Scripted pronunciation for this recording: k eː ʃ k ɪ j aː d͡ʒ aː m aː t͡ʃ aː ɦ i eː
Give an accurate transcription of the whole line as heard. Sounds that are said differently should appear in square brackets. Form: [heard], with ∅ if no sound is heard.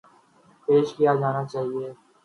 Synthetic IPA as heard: [p] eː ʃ k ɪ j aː d͡ʒ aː [n] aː t͡ʃ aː ɦ i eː